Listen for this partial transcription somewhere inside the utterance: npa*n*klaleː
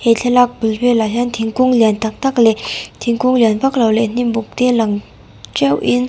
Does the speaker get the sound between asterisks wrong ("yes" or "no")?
yes